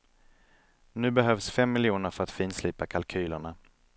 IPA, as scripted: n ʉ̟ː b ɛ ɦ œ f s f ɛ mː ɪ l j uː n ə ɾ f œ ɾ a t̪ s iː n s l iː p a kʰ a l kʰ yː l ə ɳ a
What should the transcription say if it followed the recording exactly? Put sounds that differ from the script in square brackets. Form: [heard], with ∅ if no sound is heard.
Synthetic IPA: n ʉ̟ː b ɛ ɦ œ [v] s f ɛ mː ɪ l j uː n ə ɾ f œ ɾ a t̪ [f] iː n s l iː p a kʰ a l kʰ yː l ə ɳ a